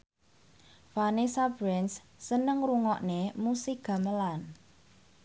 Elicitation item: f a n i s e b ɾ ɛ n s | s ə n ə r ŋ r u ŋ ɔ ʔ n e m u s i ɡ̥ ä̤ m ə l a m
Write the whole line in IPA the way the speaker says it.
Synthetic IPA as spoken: f a n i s a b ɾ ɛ n s | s ə n ə ŋ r u ŋ ɔ ʔ n e m u s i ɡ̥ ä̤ m ə l a n